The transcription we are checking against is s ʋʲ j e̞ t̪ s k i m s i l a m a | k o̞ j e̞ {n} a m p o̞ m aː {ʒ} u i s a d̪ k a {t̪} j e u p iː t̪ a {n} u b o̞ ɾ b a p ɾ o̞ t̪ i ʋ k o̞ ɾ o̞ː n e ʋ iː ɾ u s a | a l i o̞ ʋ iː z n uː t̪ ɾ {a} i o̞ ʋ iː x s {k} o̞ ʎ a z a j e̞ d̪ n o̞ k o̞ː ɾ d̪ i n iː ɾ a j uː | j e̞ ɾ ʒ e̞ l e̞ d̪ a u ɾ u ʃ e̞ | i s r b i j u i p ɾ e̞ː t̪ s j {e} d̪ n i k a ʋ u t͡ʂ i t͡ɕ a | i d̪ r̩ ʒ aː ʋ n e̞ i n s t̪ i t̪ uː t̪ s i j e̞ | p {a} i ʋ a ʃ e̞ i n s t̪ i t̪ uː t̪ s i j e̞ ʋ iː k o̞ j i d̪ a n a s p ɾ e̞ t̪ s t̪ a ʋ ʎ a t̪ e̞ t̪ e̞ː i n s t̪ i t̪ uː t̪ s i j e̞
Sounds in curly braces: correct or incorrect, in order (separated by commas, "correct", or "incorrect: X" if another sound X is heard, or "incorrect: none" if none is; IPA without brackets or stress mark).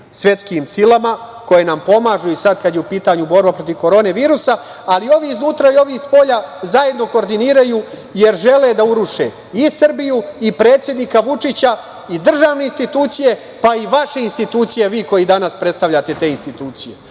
correct, correct, incorrect: d̪, incorrect: ɲ, correct, incorrect: p, correct, correct